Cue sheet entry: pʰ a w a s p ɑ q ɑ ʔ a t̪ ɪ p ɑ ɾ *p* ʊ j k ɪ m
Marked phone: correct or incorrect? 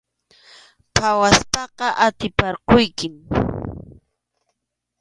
incorrect